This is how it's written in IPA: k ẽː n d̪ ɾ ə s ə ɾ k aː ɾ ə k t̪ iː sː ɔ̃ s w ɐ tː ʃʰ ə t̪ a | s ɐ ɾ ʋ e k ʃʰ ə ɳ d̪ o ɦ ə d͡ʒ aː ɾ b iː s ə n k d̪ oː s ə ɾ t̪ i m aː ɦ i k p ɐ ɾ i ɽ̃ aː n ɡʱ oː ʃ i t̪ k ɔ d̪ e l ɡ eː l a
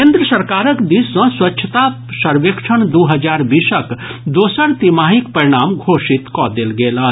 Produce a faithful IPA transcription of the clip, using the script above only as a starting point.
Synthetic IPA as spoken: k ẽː n d̪ ɾ ə s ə ɾ k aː ɾ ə k d̪ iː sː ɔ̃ s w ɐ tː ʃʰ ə t̪ a | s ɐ ɾ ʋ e k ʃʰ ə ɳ d̪ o ɦ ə d͡ʒ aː ɾ b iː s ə k d̪ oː s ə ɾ t̪ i m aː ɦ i k p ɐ ɾ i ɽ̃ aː m ɡʱ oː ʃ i t̪ k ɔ d̪ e l ɡ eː l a